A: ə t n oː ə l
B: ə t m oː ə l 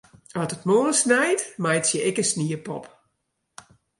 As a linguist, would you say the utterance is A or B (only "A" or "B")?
B